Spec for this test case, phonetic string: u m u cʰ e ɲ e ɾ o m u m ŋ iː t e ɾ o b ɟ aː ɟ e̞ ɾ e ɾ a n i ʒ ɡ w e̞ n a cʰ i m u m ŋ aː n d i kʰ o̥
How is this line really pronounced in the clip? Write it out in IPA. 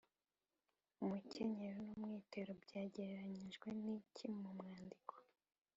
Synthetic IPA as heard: u m u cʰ e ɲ e ɾ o n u m ŋ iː t e ɾ o b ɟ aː ɟ e̞ ɾ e ɾ a ɲ i ʒ ɡ w e̞ n i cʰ i m u m ŋ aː n d i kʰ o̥